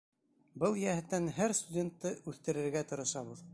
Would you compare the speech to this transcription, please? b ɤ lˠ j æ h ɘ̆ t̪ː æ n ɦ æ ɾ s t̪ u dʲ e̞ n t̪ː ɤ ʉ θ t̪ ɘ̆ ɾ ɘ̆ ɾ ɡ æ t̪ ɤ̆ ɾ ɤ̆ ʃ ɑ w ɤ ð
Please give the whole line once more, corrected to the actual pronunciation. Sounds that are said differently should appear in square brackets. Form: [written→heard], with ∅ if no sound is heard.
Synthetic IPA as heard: b ɤ lˠ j æ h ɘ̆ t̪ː æ n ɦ æ ɾ s t̪ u dʲ e̞ n t̪ː ɤ ʉ θ t̪ ɘ̆ ɾ ɘ̆ ɾ ɡ æ t̪ ɤ̆ ɾ ɤ̆ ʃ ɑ [w→β] ɤ ð